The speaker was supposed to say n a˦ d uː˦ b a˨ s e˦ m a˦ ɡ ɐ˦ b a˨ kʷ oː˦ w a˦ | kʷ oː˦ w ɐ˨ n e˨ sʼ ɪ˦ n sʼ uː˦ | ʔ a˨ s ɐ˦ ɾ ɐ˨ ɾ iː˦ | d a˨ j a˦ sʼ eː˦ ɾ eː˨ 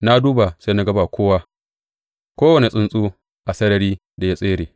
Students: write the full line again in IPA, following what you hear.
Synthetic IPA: n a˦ d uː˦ b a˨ s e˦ n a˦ ɡ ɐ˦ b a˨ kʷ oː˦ w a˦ | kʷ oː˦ w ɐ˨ n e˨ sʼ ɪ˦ n sʼ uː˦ | ʔ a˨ s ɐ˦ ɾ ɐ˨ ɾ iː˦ | d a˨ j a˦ sʼ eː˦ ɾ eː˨